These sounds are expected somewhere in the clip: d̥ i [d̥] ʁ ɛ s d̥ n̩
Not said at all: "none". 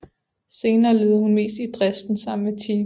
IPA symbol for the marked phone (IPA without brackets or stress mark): d̥